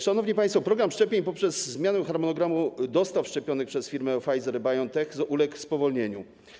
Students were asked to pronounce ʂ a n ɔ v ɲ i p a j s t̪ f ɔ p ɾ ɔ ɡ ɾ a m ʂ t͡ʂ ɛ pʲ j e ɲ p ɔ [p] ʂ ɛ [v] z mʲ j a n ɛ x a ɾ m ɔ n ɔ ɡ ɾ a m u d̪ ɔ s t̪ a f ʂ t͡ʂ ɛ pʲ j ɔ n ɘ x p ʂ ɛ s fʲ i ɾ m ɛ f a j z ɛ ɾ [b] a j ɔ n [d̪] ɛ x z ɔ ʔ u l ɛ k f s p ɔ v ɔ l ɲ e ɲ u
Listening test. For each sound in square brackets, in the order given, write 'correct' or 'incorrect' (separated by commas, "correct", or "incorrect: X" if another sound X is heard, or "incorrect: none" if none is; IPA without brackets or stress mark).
correct, incorrect: z, correct, incorrect: t̪